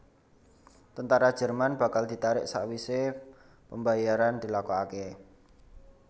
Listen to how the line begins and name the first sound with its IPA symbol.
t̪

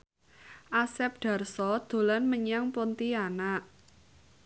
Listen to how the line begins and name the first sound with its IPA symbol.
ʔ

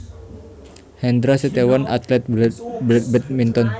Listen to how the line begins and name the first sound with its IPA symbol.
h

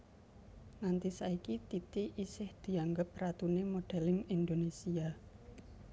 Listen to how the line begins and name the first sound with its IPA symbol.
n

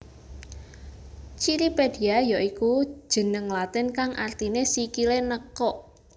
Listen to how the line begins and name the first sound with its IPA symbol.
t͡ʃ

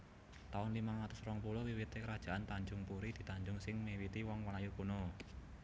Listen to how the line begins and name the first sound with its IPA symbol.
t̪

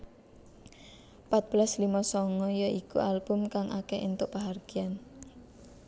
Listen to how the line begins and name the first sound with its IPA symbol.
p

